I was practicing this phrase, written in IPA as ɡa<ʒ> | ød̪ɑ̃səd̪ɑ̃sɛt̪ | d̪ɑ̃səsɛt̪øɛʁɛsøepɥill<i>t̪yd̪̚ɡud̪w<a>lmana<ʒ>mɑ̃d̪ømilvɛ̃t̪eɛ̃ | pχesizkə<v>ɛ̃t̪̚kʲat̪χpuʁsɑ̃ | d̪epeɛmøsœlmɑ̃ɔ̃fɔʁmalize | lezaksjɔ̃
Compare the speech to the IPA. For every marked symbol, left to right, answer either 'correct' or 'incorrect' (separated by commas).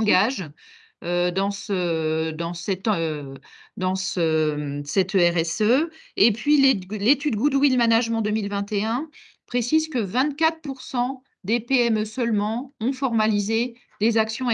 correct, incorrect, incorrect, correct, correct